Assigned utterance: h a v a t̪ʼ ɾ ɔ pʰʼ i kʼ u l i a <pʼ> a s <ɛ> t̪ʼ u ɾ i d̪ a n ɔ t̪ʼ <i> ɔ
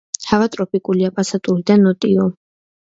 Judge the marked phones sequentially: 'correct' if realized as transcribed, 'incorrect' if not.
correct, incorrect: a, correct

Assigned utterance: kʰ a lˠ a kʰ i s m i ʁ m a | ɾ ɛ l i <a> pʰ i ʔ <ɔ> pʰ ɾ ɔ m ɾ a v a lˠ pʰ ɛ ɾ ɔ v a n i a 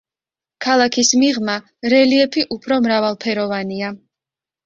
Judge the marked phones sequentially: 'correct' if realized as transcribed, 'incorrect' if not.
incorrect: ɛ, incorrect: u

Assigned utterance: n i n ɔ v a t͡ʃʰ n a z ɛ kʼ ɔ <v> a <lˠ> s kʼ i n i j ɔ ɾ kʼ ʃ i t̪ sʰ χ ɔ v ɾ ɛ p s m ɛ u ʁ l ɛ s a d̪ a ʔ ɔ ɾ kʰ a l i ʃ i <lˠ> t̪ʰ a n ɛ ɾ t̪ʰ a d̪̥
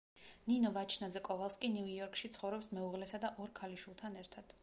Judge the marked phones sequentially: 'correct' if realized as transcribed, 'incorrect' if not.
correct, correct, correct

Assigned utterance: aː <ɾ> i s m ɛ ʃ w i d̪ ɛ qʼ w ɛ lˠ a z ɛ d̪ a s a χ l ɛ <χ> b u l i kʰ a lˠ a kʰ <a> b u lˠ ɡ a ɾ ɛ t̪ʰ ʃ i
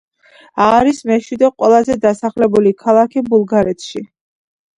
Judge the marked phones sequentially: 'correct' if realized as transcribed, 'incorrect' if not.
correct, incorrect: none, incorrect: i

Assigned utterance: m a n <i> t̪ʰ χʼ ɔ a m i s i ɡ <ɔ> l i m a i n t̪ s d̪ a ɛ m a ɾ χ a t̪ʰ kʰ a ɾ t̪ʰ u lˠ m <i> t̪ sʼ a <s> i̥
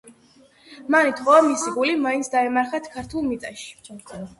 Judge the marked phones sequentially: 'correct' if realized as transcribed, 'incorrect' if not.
correct, incorrect: u, correct, incorrect: ʃ

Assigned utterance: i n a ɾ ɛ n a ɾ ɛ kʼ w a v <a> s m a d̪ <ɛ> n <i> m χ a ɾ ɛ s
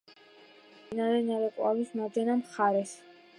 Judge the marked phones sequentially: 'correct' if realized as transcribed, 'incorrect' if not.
incorrect: i, correct, incorrect: a

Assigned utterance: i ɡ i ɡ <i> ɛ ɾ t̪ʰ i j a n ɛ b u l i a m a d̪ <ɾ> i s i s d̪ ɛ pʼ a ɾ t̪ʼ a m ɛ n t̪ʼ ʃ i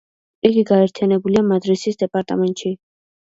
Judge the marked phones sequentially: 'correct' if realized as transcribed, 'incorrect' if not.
incorrect: a, correct

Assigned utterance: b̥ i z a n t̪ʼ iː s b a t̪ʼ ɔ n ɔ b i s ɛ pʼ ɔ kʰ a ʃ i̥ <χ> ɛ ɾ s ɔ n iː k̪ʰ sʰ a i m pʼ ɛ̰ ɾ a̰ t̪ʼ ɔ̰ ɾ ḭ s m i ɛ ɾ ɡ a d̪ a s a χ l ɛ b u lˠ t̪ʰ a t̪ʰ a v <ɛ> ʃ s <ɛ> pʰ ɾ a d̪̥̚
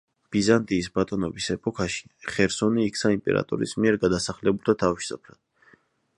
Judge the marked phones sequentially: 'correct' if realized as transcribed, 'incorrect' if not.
correct, incorrect: i, incorrect: a

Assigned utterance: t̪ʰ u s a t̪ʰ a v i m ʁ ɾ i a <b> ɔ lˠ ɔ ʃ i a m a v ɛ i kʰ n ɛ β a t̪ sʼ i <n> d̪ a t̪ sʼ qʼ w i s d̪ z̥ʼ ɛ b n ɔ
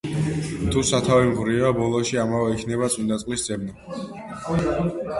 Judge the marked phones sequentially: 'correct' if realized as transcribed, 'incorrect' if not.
correct, correct

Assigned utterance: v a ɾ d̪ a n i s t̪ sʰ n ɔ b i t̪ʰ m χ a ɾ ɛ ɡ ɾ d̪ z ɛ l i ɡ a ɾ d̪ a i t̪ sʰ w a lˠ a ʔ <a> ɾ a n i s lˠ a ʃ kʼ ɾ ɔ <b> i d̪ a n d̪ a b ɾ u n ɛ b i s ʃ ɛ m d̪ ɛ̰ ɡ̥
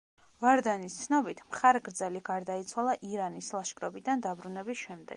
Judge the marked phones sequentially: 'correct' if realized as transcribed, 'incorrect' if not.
incorrect: i, correct

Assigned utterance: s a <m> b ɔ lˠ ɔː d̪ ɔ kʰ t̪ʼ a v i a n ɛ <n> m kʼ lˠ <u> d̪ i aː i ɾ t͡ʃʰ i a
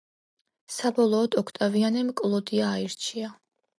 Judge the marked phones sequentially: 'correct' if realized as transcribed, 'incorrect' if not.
incorrect: none, incorrect: none, incorrect: ɔ

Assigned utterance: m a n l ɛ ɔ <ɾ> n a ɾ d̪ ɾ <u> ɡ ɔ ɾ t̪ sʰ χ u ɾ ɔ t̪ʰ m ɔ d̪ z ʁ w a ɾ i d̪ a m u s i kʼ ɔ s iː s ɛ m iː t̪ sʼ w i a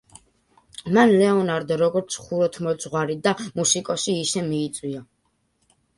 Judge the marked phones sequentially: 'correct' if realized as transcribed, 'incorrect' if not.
incorrect: none, incorrect: ɔ

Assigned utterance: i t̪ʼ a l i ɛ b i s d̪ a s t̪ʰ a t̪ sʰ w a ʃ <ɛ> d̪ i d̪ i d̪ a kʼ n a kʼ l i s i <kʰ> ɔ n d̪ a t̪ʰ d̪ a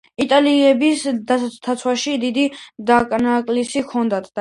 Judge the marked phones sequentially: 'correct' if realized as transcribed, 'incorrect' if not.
incorrect: i, correct

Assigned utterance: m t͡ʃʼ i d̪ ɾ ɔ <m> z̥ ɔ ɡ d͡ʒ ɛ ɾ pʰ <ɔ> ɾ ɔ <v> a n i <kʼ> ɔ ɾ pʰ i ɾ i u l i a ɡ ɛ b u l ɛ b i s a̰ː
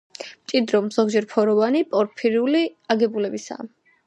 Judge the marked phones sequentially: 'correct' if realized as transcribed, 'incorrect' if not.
correct, correct, correct, incorrect: pʼ

